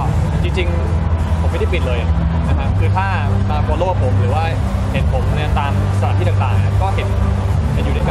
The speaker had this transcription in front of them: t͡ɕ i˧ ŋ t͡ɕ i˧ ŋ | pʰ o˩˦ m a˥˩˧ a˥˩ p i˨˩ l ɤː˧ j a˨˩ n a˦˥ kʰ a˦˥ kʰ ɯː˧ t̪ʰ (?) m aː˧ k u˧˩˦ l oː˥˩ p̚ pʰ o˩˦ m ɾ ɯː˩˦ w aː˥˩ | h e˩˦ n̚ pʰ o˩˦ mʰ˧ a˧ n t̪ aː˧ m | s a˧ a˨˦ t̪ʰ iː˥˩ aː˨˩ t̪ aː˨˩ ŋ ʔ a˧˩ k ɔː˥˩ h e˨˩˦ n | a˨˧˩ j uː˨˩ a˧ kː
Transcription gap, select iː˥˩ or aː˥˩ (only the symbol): aː˥˩